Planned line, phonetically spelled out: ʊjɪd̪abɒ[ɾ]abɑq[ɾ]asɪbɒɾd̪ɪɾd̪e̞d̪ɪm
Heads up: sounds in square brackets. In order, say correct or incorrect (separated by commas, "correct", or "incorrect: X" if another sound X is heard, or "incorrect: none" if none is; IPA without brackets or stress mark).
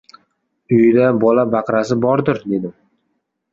incorrect: l, correct